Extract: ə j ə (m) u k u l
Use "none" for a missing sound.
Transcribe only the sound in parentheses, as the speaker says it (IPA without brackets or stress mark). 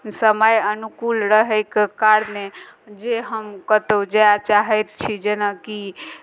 n